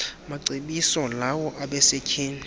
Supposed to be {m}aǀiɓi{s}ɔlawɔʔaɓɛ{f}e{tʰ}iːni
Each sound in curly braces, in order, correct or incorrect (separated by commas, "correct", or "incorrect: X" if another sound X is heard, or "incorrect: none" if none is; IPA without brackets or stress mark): correct, correct, incorrect: s, incorrect: kʰ